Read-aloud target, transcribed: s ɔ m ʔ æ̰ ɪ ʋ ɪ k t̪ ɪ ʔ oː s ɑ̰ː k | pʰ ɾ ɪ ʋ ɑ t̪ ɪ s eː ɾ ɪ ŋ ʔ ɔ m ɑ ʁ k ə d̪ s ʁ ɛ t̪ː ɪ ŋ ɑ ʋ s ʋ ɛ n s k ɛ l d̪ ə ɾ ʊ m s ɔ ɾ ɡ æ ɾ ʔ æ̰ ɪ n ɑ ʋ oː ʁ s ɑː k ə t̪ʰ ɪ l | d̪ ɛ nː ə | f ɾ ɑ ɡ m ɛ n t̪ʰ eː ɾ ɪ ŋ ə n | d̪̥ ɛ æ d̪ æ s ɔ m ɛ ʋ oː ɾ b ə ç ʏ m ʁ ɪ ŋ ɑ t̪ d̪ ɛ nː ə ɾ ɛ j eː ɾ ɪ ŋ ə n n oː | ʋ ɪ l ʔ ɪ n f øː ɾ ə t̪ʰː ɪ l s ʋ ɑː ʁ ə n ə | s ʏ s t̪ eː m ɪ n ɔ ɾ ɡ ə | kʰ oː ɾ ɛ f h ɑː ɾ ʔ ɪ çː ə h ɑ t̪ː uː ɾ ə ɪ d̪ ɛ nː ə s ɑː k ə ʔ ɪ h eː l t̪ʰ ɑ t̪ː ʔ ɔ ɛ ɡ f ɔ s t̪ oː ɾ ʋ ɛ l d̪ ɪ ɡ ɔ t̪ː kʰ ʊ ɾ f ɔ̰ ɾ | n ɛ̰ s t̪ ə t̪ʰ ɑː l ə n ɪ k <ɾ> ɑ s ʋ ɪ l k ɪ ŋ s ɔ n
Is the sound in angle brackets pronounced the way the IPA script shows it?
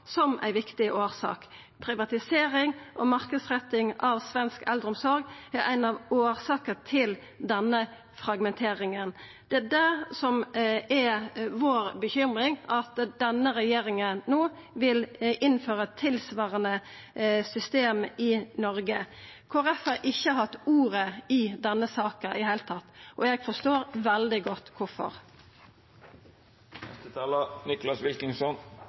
no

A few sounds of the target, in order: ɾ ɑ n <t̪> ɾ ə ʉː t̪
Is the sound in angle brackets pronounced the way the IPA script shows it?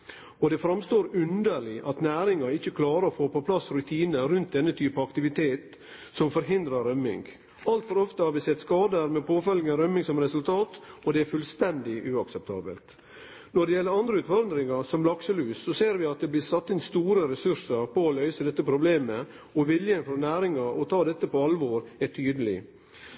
no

